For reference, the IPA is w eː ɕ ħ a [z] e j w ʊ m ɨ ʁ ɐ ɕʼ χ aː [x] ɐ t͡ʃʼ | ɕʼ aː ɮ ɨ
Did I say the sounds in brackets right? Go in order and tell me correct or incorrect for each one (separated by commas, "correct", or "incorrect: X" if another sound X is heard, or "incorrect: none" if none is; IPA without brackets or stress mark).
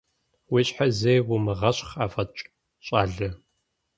correct, incorrect: f